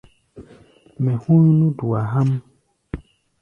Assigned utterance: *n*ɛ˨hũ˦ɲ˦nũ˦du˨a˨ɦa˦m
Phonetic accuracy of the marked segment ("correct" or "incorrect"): incorrect